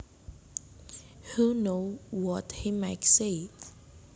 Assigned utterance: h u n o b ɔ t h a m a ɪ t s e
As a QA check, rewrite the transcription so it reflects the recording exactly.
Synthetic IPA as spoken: h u n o w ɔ t h i m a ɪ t s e